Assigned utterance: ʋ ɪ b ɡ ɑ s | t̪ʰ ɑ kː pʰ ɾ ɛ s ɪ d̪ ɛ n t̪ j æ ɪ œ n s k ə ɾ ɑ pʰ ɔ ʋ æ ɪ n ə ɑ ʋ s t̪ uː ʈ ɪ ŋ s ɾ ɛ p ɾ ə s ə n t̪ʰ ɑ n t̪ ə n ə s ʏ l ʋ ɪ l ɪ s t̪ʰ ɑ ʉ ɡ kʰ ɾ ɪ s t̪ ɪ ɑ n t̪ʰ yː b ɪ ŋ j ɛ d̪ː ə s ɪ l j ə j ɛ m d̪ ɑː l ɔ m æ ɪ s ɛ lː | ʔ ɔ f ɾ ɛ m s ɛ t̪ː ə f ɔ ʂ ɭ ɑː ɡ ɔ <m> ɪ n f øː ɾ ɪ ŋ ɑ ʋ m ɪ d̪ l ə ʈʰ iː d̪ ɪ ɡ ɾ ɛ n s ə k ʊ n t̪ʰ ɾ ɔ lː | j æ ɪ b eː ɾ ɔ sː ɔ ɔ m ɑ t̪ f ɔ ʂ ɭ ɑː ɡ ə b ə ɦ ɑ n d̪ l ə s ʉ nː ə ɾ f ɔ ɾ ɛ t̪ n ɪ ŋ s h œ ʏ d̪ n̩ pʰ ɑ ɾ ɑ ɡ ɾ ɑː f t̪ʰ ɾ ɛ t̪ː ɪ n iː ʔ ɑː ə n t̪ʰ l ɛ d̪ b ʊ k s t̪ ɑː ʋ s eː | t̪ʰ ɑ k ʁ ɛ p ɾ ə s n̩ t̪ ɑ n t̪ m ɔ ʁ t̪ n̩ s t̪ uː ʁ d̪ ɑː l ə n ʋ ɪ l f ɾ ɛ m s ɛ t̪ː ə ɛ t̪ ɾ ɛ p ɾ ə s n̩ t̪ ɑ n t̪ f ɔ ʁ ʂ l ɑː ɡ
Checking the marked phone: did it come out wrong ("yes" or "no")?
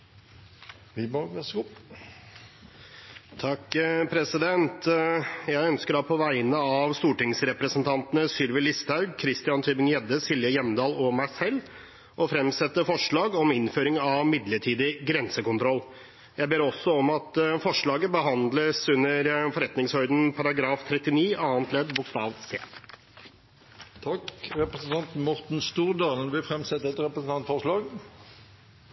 no